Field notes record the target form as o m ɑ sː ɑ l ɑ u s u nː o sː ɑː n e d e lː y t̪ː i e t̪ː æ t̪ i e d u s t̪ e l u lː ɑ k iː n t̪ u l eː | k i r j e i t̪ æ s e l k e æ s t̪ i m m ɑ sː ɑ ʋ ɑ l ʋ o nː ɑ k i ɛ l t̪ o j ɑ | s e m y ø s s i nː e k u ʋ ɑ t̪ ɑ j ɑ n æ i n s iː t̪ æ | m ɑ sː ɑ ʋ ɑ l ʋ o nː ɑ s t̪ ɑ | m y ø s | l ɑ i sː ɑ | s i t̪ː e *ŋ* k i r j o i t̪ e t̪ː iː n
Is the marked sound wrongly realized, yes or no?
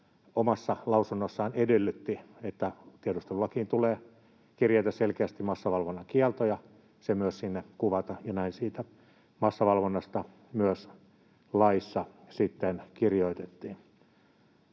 yes